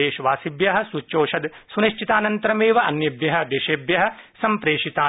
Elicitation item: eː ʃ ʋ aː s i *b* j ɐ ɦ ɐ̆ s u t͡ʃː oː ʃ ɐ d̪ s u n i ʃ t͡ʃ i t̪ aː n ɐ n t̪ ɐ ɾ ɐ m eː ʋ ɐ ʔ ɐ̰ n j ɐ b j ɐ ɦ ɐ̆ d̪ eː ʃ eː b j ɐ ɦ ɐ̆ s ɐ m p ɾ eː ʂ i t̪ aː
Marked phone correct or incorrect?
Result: correct